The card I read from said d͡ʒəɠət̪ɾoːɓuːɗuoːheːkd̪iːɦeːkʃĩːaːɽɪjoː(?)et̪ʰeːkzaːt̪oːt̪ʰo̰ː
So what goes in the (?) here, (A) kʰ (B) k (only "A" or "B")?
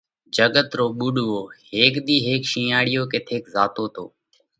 B